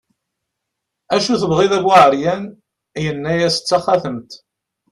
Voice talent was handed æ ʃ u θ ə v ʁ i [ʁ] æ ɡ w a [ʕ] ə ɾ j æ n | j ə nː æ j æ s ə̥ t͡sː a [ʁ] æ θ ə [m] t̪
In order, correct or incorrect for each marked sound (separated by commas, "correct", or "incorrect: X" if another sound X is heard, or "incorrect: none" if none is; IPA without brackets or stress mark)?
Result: incorrect: ð, correct, incorrect: χ, correct